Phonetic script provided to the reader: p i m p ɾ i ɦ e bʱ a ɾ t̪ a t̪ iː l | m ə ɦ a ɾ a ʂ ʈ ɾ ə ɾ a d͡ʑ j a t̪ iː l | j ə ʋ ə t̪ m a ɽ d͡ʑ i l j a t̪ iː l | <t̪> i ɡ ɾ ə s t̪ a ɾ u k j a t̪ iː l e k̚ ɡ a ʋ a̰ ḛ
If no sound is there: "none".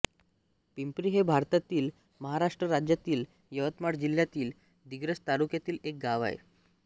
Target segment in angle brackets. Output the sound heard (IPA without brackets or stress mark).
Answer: d̪